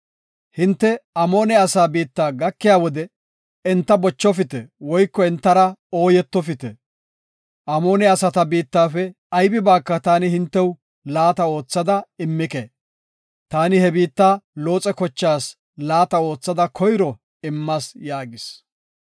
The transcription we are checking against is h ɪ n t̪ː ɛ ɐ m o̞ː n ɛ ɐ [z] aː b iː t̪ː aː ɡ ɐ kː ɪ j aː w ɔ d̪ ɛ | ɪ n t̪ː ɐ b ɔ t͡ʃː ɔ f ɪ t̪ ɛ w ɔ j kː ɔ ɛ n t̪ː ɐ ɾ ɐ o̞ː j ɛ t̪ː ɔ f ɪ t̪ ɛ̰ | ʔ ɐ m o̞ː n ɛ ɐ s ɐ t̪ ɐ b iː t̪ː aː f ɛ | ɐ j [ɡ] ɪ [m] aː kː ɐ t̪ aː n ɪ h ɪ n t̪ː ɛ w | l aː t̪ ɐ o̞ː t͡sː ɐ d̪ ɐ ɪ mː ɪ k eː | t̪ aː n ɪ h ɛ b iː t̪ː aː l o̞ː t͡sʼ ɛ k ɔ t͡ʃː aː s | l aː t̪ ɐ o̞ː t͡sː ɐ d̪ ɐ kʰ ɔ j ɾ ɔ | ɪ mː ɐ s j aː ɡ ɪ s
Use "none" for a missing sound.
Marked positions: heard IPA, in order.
s, b, b

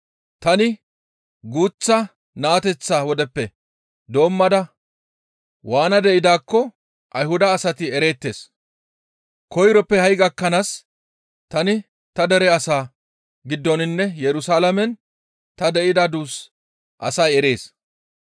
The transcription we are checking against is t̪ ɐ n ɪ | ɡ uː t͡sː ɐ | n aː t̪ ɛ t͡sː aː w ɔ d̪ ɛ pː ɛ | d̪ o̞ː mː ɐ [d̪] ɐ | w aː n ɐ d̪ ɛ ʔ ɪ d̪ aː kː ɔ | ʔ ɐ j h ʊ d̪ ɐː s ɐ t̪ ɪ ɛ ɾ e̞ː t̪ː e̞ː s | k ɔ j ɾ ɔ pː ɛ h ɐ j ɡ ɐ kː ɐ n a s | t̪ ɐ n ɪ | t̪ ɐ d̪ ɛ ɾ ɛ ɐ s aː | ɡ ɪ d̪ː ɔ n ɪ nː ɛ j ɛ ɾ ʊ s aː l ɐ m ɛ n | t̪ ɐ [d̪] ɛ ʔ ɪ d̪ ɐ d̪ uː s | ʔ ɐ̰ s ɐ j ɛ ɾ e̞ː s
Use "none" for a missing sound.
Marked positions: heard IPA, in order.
d̪, d̪

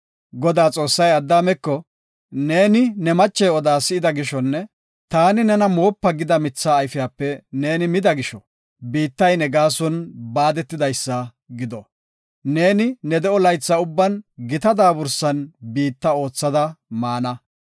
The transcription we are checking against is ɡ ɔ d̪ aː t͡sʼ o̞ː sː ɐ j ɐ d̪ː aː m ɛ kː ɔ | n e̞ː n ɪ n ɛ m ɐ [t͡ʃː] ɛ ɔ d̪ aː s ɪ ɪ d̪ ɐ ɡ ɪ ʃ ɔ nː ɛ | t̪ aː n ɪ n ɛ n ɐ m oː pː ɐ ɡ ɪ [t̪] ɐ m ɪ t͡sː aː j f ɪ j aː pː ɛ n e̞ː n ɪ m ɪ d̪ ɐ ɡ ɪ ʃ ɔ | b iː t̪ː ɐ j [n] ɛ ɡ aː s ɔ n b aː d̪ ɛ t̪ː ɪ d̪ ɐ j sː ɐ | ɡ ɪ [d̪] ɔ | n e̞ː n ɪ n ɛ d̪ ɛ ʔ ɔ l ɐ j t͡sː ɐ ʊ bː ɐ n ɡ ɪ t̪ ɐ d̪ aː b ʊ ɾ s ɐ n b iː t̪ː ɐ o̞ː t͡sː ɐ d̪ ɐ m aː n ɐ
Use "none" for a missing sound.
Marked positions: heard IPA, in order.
t͡ʃː, d̪, n, d̪

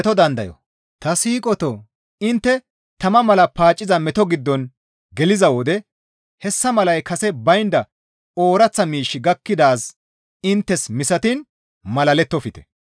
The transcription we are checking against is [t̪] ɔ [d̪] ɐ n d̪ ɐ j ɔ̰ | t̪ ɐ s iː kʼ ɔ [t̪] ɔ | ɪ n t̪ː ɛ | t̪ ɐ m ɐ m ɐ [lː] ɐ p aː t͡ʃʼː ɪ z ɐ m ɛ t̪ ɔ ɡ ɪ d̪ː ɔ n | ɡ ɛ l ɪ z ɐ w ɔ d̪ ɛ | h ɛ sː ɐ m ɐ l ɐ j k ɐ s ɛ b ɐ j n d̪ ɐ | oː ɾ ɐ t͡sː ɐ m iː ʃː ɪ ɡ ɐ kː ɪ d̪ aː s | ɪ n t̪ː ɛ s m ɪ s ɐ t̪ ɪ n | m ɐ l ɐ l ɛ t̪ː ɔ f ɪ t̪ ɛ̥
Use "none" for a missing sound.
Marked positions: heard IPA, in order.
t̪, d̪, t̪, l

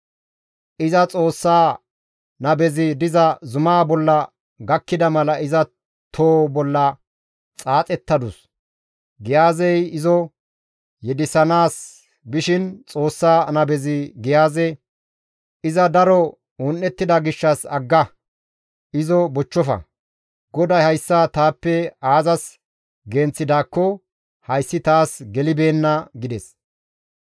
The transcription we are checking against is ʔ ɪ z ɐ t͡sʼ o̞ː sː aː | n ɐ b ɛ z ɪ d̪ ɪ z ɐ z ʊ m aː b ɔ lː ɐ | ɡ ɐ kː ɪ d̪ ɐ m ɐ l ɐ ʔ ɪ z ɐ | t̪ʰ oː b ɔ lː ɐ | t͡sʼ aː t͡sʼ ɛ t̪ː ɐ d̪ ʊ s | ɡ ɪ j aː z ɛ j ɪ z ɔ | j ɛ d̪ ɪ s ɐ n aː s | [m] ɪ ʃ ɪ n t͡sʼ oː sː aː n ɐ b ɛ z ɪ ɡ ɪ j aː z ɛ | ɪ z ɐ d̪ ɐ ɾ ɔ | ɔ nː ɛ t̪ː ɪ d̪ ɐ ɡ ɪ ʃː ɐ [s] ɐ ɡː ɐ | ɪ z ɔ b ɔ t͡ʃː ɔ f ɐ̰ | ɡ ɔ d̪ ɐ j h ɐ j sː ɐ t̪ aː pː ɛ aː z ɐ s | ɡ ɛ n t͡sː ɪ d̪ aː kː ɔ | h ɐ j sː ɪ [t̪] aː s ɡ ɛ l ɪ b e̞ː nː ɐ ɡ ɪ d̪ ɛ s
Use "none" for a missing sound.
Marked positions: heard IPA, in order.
b, s, t̪

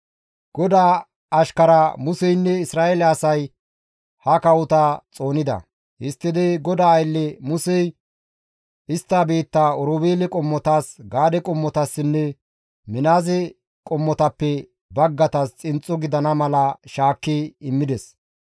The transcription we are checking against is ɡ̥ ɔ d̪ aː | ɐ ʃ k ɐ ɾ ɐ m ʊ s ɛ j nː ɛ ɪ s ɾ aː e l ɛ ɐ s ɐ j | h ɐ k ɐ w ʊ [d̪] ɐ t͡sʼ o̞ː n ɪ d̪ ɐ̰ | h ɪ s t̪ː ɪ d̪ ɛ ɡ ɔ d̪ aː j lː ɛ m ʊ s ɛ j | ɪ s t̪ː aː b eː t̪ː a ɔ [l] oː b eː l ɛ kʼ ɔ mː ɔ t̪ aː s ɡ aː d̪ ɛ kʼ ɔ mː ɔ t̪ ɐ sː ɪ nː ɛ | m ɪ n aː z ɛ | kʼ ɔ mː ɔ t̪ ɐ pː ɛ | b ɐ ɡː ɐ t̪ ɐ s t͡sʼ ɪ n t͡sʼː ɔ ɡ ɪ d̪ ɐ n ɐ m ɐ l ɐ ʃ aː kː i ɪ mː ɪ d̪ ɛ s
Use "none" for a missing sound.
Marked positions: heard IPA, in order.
t̪, ɾ

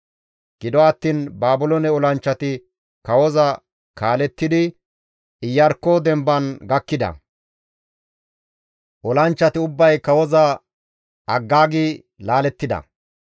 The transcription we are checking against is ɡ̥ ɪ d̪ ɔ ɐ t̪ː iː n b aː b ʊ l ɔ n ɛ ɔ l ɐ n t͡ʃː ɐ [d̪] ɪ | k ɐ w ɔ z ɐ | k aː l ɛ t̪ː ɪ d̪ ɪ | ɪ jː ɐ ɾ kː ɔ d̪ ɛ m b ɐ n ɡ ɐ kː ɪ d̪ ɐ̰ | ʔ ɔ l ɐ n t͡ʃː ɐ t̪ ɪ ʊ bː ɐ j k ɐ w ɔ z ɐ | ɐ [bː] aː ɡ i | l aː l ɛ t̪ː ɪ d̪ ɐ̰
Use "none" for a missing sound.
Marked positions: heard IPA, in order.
t̪, ɡː

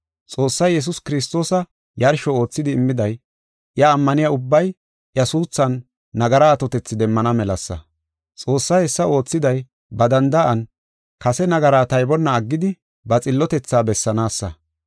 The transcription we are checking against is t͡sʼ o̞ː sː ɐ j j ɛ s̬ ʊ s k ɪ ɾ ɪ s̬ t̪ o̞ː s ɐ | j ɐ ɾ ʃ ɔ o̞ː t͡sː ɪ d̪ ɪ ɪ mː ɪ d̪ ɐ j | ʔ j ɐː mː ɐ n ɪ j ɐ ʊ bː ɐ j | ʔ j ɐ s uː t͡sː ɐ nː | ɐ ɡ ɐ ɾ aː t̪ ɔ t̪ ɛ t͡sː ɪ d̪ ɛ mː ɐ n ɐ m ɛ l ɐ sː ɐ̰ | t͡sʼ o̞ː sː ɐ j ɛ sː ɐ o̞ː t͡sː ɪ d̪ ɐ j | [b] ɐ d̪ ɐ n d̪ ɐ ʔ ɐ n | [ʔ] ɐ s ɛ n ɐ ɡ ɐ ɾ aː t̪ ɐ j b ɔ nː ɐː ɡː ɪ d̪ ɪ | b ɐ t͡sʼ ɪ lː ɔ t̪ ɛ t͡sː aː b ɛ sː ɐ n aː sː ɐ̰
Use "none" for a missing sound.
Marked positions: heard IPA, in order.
b, k

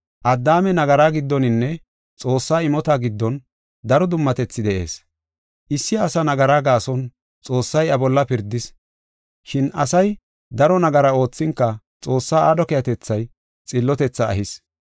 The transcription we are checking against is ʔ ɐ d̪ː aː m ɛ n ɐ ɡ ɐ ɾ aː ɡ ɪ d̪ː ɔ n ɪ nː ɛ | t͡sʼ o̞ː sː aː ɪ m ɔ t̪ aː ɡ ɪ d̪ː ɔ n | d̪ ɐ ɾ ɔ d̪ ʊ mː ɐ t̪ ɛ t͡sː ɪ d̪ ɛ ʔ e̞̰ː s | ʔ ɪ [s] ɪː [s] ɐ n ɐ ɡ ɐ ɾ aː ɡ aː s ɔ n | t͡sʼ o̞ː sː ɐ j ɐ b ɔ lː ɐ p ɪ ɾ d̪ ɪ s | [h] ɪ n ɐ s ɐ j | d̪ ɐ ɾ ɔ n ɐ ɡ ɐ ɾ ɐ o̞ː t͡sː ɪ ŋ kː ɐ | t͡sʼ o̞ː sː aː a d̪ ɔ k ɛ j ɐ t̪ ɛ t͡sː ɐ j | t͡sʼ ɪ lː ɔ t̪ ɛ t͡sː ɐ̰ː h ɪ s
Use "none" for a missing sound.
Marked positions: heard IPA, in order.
sː, s, ʃ

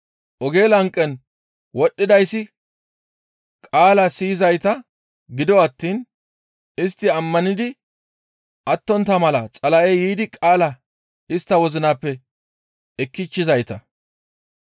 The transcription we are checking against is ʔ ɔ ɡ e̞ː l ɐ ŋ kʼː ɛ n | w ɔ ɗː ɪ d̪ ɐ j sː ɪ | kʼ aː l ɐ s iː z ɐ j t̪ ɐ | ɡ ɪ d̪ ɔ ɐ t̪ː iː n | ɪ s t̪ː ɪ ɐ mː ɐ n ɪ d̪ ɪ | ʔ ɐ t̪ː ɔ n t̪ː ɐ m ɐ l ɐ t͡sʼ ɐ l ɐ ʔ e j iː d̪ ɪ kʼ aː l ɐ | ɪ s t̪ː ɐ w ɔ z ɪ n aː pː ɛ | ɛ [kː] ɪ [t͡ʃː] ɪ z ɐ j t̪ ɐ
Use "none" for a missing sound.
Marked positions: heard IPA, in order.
kː, t͡ʃː

